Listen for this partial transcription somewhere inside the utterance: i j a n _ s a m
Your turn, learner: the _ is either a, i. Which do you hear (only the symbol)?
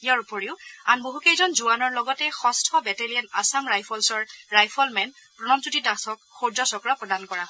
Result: a